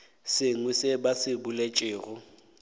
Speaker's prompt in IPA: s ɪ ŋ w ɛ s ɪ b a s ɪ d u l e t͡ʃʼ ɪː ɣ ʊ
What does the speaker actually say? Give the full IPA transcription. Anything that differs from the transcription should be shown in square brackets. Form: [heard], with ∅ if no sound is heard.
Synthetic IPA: s ɪ ŋ w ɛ s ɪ b a s ɪ [b] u l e t͡ʃʼ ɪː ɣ ʊ